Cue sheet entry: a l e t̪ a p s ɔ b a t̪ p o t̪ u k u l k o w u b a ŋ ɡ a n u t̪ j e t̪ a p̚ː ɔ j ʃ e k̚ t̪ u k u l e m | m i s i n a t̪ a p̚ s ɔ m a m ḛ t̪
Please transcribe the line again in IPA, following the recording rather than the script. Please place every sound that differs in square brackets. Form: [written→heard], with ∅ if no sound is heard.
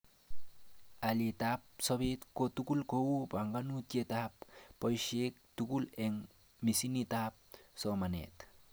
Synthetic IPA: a l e t̪ a p s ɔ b [a→e] t̪ [p→k] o t̪ u k u l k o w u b a ŋ ɡ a n u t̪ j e t̪ a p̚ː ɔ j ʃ e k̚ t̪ u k u l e [m→ŋ] | m i s i n [a→i] t̪ a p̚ s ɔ m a [m→n] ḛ t̪